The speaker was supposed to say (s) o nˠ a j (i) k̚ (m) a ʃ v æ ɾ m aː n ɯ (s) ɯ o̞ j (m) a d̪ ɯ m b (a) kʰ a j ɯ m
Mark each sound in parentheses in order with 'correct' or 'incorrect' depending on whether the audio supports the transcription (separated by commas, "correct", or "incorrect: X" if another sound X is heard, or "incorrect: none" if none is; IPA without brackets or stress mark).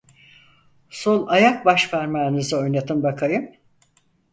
correct, incorrect: a, incorrect: b, incorrect: z, incorrect: n, correct